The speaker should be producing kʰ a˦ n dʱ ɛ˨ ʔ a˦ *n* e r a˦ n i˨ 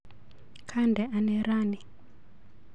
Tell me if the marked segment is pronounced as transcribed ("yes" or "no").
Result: yes